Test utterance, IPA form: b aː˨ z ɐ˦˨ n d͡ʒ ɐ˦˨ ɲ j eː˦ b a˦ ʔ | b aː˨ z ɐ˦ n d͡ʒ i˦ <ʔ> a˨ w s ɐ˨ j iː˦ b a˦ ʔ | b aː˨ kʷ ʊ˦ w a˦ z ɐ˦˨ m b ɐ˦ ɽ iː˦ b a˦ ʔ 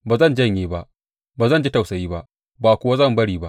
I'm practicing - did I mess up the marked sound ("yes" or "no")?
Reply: yes